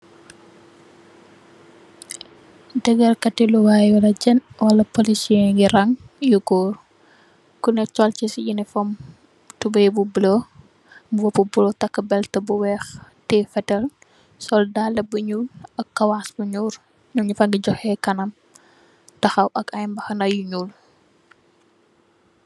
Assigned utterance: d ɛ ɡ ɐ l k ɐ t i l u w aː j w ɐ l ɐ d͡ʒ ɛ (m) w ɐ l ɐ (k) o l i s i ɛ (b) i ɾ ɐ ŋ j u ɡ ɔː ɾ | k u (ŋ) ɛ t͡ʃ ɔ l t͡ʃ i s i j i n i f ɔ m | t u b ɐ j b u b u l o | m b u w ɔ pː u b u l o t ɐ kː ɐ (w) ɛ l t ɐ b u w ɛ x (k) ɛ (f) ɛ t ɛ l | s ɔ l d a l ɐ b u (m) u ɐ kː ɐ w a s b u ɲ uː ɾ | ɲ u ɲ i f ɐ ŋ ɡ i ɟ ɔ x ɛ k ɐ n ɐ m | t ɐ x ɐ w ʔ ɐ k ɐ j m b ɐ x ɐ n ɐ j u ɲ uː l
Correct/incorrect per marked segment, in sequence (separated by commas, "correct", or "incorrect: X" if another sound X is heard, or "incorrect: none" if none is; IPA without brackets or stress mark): incorrect: n, incorrect: p, incorrect: ɡ, incorrect: n, incorrect: b, incorrect: t, correct, incorrect: ɲ